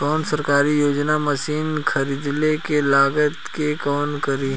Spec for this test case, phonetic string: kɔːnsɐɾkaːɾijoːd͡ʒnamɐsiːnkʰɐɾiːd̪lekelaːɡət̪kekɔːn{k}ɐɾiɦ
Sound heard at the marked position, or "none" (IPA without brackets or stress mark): k